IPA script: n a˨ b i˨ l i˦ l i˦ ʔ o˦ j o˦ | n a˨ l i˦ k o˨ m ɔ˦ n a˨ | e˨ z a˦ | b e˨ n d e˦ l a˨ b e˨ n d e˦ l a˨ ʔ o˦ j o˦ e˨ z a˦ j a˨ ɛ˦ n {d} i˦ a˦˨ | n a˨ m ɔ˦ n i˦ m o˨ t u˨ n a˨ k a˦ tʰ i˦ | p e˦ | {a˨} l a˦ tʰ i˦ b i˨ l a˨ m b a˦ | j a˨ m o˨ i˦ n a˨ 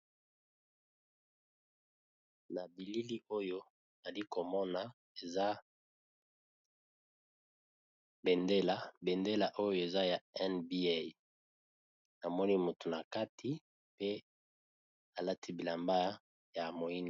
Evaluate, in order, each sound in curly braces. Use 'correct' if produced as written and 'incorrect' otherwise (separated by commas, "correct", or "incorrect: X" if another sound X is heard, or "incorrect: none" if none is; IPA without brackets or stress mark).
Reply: incorrect: b, correct